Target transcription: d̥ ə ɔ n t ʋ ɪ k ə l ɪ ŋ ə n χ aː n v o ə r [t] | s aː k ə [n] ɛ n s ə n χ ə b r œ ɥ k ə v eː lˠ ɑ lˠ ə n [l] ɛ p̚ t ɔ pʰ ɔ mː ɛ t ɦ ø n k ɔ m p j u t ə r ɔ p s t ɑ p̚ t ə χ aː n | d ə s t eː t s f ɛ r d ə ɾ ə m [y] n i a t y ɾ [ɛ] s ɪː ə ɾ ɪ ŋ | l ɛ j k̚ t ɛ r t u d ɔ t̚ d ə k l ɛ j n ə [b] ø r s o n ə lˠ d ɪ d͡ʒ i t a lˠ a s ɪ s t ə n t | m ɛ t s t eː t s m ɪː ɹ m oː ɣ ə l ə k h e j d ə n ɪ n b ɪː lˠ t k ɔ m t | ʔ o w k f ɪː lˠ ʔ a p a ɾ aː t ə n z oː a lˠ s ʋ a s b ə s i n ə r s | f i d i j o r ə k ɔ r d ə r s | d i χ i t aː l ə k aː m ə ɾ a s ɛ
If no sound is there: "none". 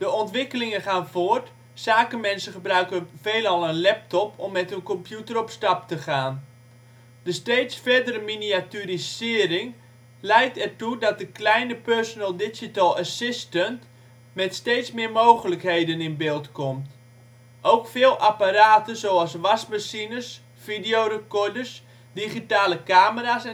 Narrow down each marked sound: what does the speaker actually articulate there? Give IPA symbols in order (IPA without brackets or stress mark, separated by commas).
t, m, l, i, i, p